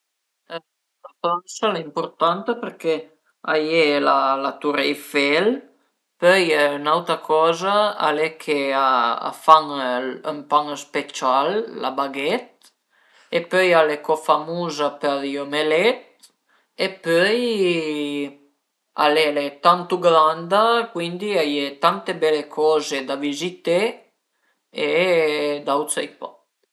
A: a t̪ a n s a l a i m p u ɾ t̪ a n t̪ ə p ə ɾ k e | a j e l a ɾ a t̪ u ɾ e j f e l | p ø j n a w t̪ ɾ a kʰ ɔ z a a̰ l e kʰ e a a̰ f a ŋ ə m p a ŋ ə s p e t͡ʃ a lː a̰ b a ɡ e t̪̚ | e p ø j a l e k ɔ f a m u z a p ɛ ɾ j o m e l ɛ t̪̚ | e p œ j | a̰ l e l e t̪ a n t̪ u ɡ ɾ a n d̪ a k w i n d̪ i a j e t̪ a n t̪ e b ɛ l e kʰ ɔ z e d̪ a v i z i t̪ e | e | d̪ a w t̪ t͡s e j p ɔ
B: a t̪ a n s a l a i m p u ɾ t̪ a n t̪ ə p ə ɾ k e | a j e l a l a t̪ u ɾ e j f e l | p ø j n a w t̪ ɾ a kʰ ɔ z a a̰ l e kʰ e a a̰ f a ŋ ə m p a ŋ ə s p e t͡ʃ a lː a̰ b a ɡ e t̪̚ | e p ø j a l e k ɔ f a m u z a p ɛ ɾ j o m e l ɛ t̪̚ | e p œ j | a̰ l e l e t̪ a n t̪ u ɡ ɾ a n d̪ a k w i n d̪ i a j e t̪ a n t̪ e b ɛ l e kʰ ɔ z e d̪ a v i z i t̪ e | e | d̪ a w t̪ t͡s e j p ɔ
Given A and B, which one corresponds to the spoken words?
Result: B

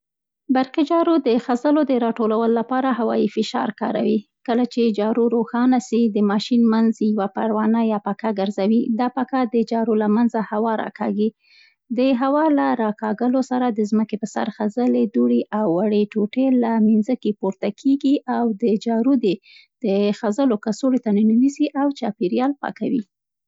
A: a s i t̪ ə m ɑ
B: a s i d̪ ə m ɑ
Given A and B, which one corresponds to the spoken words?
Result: B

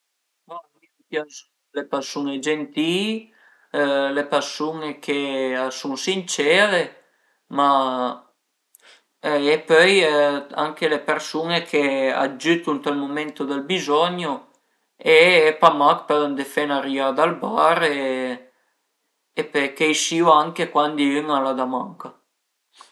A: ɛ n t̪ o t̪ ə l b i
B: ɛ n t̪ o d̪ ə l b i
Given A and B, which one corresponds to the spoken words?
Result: B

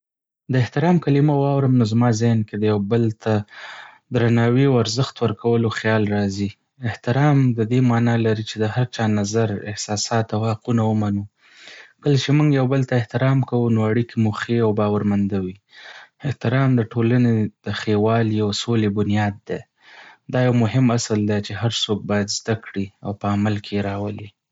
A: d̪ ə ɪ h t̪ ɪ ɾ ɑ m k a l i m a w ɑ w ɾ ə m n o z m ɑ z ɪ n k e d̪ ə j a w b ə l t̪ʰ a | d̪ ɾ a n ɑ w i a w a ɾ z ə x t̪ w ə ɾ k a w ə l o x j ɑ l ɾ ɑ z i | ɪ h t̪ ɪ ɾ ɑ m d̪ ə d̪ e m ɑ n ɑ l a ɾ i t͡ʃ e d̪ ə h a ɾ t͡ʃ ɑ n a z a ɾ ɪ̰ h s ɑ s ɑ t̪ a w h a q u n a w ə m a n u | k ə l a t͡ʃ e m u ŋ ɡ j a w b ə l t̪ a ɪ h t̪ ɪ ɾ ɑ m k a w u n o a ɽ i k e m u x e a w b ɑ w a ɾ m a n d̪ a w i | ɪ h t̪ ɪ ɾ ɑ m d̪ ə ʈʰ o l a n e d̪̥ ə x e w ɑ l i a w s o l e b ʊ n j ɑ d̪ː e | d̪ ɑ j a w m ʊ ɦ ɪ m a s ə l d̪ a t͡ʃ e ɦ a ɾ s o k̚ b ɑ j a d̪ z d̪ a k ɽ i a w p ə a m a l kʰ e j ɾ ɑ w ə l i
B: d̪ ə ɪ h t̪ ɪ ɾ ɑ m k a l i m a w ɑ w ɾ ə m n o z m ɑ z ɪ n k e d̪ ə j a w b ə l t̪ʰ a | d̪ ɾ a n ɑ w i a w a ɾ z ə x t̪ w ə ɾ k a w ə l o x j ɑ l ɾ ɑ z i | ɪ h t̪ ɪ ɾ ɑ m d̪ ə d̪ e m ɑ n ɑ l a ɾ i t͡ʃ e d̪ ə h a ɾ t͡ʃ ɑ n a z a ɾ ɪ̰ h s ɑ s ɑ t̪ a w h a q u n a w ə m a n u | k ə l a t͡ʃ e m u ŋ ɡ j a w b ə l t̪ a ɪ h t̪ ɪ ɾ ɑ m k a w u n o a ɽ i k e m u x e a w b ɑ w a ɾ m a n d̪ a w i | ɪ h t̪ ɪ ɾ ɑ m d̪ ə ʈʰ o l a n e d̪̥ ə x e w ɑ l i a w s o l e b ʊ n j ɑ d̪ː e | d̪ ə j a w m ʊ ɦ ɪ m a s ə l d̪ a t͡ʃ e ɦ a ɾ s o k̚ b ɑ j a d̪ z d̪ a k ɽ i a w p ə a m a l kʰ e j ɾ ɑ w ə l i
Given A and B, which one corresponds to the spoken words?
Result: A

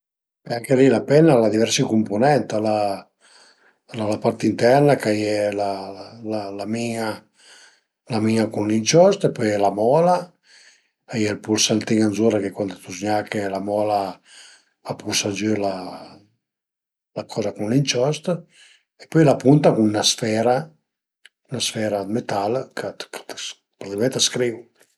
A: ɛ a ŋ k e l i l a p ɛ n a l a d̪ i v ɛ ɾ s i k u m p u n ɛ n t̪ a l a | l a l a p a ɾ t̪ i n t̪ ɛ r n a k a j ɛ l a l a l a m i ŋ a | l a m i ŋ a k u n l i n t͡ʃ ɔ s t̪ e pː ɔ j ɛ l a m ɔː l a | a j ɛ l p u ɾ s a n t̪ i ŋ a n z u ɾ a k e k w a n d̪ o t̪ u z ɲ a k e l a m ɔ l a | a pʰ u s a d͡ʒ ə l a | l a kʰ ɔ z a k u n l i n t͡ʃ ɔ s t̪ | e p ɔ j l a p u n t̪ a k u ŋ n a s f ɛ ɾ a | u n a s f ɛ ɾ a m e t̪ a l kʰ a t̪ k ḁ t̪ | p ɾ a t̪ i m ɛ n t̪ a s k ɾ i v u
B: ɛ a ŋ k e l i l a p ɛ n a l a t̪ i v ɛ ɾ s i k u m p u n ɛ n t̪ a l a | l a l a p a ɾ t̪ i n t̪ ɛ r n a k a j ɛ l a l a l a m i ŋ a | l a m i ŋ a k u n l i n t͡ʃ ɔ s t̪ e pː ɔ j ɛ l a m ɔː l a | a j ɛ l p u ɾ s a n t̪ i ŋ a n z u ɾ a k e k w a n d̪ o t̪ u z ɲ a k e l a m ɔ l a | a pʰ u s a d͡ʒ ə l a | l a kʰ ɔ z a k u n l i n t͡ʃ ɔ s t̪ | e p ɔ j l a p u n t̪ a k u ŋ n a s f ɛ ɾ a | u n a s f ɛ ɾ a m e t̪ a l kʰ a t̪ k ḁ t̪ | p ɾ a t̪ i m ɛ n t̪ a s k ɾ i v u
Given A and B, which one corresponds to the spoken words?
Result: A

